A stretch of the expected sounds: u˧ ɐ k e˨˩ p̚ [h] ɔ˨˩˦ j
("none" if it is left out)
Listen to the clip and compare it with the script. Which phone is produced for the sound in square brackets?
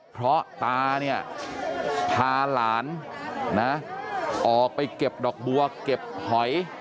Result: h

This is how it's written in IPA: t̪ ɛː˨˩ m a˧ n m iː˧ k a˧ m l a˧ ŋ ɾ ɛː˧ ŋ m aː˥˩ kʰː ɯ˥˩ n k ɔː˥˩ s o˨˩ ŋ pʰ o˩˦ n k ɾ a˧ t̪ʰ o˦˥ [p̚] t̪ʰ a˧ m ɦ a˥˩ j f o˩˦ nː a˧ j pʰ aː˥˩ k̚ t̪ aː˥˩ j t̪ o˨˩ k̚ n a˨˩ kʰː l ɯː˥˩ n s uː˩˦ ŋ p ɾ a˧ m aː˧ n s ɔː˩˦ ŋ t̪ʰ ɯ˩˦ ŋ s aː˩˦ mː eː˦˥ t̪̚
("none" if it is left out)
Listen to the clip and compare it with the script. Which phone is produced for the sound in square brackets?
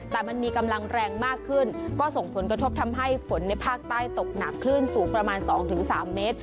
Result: p̚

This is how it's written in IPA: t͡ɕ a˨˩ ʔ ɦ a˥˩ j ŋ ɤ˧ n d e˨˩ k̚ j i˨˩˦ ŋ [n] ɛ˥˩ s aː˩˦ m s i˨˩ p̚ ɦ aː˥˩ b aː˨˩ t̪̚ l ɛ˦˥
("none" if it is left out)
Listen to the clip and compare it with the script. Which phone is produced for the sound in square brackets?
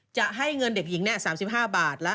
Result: n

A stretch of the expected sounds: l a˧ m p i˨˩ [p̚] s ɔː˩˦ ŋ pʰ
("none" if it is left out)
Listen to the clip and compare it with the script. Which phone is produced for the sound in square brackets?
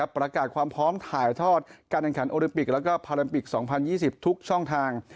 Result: k̚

